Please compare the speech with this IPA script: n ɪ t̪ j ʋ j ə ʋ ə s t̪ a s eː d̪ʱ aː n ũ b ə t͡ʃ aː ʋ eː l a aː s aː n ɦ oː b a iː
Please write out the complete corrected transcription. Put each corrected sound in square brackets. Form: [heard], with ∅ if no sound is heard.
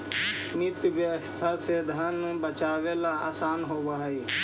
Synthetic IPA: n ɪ t̪ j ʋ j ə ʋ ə s [t̪ʰ] a s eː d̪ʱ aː n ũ b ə t͡ʃ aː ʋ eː l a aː s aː n ɦ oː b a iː